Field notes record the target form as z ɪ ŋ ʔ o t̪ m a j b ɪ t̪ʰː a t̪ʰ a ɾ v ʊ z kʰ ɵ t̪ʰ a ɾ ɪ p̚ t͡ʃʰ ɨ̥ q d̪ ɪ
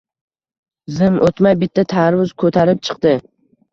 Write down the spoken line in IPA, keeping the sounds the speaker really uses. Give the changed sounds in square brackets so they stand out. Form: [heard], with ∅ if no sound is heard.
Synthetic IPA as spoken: z ɪ [m] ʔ o t̪ m a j b ɪ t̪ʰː a t̪ʰ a ɾ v ʊ z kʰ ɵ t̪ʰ a ɾ ɪ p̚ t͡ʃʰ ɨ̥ q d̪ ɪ